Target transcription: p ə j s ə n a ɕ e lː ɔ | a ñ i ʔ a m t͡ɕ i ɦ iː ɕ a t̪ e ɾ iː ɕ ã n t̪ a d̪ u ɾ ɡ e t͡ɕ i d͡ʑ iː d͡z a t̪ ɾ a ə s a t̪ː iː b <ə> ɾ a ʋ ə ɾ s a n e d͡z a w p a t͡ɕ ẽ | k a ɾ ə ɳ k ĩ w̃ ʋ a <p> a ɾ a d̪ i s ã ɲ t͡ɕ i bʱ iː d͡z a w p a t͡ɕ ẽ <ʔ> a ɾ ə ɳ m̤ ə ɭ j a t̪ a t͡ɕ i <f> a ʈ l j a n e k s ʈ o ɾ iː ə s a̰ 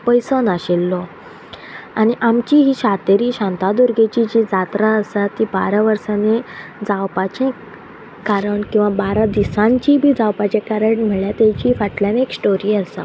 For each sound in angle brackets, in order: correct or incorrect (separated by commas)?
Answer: incorrect, incorrect, incorrect, correct